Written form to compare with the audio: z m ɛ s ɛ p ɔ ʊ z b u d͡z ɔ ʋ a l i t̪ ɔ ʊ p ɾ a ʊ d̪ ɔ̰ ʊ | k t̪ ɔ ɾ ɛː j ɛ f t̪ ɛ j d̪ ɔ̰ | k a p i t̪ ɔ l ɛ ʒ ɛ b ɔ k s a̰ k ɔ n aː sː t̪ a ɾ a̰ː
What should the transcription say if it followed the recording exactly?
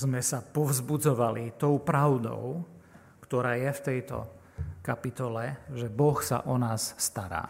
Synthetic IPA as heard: z m ɛ s a p ɔ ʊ z b u d͡z ɔ ʋ a l i t̪ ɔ ʊ p ɾ a ʊ d̪ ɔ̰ ʊ | k t̪ ɔ ɾ aː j ɛ f t̪ ɛ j t̪ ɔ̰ | k a p i t̪ ɔ l ɛ ʒ ɛ b ɔ x s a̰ ʔ ɔ n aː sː t̪ a ɾ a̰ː